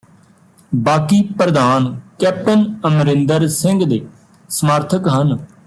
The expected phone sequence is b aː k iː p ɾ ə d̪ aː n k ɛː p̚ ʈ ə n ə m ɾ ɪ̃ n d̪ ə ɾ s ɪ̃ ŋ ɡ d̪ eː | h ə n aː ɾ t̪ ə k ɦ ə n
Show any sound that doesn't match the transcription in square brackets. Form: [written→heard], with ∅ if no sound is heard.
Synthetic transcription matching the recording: b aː k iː p ɾ ə d̪ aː n k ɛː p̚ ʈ ə n ə m ɾ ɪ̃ n d̪ ə ɾ s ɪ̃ ŋ ɡ d̪ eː | [h→s] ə [n→m] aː ɾ [t̪→t̪ʰ] ə k ɦ ə n